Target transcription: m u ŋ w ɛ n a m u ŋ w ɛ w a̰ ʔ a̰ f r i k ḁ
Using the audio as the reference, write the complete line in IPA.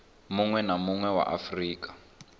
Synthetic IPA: m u ŋ w ɛ n a m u ŋ w ɛ w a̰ ʔ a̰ f r iː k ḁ